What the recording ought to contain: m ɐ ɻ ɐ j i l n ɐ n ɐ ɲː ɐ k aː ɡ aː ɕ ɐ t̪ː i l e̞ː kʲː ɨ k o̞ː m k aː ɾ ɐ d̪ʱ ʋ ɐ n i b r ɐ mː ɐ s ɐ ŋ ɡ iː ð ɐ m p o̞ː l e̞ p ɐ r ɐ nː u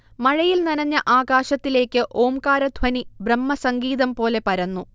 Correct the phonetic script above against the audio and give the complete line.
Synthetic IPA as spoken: m ɐ ɻ ɐ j i l n ɐ n ɐ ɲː ɐ ʔ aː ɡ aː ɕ ɐ t̪ː i l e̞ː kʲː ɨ ʔ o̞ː m k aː ɾ ɐ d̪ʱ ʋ ɐ n i b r ɐ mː ɐ s ɐ ŋ ɡ iː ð ɐ m p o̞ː l e̞ p ɐ ɾ ɐ nː u